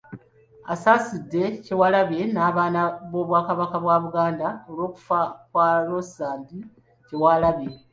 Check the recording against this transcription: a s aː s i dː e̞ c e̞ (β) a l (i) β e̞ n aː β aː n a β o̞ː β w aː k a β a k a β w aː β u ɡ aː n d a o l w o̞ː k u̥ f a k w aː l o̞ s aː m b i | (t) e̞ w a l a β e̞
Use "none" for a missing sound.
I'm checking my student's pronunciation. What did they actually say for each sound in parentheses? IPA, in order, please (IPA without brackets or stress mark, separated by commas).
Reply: w, a, c